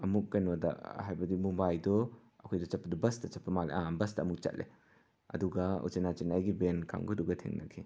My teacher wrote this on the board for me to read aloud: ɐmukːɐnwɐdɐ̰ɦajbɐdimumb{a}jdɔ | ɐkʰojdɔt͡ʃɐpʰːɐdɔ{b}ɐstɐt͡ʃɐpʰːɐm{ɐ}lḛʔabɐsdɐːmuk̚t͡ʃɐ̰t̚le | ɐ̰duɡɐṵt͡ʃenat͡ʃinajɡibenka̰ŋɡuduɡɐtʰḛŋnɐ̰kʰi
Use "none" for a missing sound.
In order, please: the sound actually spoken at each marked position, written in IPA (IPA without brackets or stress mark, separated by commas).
a, b, a